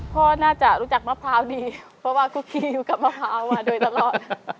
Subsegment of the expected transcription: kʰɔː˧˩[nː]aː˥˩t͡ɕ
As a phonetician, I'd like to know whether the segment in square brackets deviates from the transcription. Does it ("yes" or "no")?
yes